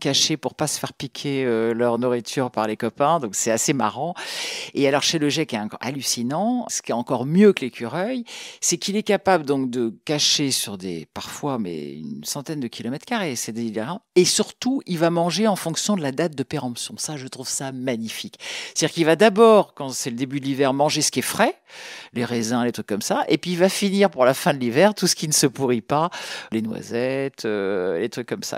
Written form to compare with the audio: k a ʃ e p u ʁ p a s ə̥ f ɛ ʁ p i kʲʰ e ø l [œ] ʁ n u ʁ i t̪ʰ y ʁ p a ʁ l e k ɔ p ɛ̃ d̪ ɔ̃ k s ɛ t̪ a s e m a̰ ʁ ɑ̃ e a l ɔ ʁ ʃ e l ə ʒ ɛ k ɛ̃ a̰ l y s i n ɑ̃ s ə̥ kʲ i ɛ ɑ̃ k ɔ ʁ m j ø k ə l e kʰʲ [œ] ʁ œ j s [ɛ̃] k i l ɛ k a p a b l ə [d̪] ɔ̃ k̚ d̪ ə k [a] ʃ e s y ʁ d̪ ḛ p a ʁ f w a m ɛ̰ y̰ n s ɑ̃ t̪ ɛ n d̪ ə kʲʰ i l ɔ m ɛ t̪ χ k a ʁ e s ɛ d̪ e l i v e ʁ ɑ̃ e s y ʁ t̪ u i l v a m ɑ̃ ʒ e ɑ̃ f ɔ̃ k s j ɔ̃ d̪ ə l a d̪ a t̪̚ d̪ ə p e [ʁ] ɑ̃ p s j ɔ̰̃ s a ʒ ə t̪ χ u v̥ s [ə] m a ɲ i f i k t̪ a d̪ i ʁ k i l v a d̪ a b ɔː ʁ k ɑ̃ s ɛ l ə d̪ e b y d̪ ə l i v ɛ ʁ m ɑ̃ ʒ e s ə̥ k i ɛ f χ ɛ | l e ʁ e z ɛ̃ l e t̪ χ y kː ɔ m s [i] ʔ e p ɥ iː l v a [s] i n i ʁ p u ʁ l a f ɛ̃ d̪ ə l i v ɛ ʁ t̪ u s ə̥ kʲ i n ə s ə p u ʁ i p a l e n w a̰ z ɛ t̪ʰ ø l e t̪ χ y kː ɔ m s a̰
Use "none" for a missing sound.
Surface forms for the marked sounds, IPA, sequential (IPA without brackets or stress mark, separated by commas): œ, y, ɛ, d̪, a, ʁ, a, a, f